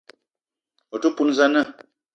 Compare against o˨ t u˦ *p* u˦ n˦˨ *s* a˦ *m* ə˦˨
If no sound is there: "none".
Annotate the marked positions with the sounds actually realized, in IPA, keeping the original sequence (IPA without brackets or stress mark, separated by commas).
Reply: p, z, n